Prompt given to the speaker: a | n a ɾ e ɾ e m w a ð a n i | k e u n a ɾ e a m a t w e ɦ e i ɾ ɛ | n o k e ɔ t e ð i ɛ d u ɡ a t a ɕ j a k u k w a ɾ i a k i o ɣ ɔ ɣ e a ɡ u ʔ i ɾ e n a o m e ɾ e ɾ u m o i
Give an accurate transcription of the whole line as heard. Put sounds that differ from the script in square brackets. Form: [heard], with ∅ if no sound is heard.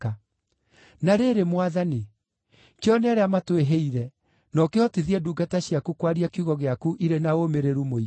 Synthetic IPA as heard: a | n a ɾ e ɾ e m w a ð a n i | k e [ɔ] n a ɾ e a m a t w e ɦ e i ɾ ɛ | n [ɔ] k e ɔ t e ð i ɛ d u ɡ a t a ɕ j a k u k w a ɾ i a k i [u] ɣ ɔ ɣ e a [k] u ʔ i ɾ e n a o m e ɾ e ɾ u m o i